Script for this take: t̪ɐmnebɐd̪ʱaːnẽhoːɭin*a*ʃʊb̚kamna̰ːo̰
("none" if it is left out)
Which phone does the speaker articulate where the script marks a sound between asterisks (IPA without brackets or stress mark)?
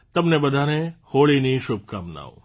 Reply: i